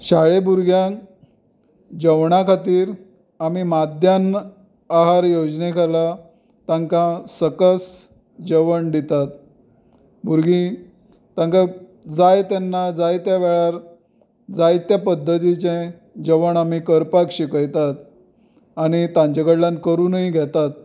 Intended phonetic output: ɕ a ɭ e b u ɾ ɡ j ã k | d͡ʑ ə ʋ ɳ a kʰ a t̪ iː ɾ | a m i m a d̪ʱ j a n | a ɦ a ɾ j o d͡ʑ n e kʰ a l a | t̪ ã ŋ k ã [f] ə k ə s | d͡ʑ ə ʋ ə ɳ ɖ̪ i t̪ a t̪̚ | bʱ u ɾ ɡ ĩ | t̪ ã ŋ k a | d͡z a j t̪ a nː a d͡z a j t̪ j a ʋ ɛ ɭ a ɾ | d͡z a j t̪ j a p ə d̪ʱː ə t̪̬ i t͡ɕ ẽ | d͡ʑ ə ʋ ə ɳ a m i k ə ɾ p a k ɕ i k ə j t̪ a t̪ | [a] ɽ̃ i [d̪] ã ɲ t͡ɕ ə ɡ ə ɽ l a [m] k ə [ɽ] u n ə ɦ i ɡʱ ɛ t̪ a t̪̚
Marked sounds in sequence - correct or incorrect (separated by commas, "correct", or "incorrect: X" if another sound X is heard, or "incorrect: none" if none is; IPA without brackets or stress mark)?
incorrect: s, correct, incorrect: t̪, incorrect: n, incorrect: ɾ